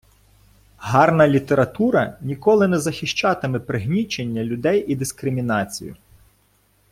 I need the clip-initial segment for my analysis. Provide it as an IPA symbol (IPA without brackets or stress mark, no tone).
ɦ